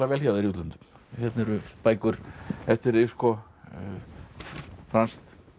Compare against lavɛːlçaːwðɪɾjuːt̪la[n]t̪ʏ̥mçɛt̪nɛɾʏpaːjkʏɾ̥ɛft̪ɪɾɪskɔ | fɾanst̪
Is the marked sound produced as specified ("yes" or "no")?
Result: yes